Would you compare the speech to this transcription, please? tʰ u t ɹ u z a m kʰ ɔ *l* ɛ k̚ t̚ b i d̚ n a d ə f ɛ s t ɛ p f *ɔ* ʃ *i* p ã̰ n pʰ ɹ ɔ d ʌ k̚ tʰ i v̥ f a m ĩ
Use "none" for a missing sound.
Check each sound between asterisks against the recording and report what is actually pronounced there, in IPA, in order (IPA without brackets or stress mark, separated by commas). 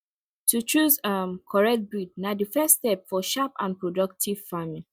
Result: ɹ, ɔ, a